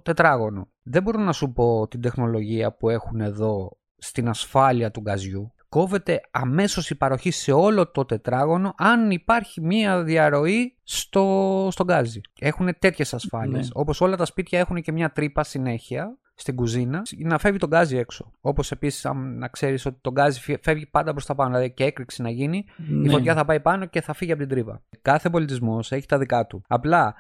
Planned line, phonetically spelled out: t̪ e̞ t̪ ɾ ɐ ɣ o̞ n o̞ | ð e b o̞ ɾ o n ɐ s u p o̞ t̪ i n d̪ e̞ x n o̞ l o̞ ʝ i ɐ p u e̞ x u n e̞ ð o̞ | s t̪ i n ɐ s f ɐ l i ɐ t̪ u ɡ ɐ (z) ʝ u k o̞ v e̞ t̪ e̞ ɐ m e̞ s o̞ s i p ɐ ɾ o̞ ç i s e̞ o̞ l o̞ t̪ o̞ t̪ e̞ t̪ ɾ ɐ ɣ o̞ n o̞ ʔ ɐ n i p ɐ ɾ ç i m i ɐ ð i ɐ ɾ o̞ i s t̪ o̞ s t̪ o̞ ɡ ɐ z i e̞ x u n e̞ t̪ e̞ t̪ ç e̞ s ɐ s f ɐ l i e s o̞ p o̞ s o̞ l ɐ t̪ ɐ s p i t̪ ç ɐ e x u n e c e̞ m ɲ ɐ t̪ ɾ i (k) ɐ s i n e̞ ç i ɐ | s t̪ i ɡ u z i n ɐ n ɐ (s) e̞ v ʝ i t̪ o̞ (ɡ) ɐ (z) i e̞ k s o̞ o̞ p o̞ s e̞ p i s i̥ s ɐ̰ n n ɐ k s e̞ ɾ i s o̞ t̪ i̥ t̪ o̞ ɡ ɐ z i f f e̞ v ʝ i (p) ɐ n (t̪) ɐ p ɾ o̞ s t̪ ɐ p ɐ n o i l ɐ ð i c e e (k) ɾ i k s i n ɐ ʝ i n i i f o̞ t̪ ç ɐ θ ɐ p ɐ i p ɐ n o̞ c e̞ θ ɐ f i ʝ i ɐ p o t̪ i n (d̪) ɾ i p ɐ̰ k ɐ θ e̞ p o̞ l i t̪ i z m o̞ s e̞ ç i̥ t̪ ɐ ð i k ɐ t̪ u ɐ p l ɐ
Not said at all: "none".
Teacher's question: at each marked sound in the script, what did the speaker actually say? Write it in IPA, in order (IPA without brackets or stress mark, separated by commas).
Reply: z, p, f, ɡ, z, p, d̪, k, d̪